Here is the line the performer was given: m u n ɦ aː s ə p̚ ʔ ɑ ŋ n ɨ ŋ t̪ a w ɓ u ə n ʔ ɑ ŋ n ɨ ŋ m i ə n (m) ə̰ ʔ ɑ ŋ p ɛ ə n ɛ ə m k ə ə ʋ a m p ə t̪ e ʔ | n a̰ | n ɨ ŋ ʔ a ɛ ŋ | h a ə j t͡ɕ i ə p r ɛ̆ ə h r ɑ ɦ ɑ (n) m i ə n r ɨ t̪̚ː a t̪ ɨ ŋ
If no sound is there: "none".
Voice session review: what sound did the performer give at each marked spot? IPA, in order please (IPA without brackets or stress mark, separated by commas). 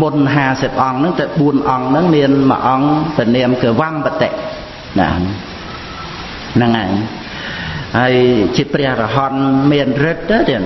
m, n